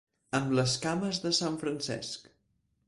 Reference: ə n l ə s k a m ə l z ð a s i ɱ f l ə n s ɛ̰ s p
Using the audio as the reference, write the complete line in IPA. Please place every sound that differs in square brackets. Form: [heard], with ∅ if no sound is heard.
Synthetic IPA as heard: ə [m] l ə s k a m ə [∅] z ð [ə] s [a] ɱ f [ɾ] ə n s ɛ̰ s [k]